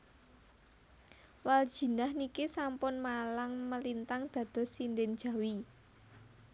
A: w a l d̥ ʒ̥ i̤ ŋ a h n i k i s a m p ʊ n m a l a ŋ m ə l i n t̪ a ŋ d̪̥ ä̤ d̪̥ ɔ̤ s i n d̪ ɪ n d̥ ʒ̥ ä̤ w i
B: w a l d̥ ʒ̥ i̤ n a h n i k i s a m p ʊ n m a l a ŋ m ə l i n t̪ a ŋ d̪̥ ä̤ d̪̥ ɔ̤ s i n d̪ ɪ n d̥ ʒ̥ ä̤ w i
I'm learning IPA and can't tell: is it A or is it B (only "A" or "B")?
B